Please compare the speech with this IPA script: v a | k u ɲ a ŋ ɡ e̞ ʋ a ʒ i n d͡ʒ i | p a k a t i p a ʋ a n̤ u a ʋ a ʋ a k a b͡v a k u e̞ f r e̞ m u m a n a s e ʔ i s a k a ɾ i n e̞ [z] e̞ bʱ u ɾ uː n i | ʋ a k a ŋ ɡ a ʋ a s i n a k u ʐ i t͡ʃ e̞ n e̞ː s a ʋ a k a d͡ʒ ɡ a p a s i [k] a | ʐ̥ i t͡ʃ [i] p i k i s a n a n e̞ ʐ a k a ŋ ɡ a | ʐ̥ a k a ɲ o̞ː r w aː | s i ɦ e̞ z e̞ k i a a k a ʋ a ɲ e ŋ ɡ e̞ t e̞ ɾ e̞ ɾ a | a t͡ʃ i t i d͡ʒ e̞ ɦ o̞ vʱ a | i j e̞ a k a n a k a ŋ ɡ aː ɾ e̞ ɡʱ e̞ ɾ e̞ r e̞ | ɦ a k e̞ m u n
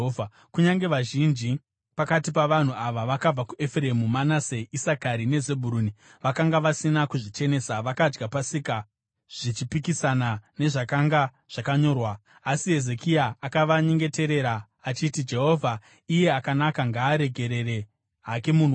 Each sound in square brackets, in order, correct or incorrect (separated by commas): correct, correct, correct